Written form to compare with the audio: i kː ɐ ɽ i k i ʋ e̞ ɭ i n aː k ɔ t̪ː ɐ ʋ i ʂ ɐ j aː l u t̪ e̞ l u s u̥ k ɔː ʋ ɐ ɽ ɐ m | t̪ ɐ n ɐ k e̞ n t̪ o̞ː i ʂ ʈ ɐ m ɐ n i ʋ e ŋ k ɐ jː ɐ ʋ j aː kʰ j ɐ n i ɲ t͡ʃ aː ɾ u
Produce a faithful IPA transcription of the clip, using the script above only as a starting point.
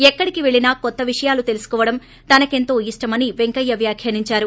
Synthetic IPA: ɛ kː ɐ ɽ i k i ʋ e̞ ɭ i n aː k ɔ t̪ː ɐ ʋ i ʂ ɐ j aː l u t̪ e̞ l u s u̥ k ɔː ʋ ɐ ɽ ɐ m | t̪ ɐ n ɐ k e̞ n t̪ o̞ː i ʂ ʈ ɐ m ɐ n i ʋ e ŋ k ɐ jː ɐ ʋ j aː kʰ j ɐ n i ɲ t͡ʃ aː ɾ u